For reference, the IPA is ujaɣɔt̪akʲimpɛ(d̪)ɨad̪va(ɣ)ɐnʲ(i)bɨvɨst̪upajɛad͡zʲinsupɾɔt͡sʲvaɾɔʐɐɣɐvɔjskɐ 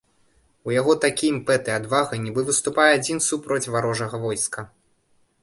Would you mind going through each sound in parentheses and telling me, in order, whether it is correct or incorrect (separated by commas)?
incorrect, correct, correct